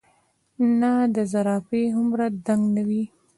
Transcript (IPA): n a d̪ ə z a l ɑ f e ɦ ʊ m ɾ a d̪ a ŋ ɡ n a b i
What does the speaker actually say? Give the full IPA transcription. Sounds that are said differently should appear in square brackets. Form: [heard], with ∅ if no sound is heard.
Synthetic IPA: n a d̪ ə z a [ɾ] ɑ f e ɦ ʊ m ɾ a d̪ a ŋ ɡ n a [w] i